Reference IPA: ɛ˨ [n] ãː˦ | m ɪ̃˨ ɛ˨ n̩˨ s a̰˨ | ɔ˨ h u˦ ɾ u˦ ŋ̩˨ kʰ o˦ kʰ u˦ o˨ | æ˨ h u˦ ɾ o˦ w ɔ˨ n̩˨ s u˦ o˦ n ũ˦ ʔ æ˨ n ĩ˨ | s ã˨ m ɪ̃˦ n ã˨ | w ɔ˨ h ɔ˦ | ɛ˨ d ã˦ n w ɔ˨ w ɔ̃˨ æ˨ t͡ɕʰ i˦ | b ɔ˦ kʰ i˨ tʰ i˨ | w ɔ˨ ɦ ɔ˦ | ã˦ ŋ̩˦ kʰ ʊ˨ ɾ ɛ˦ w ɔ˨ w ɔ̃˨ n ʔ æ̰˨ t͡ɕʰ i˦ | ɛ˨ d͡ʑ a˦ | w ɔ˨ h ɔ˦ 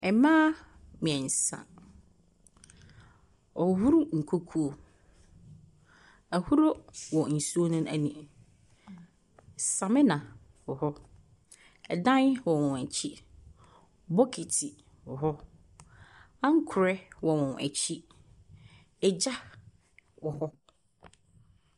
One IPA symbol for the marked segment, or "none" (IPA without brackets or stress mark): m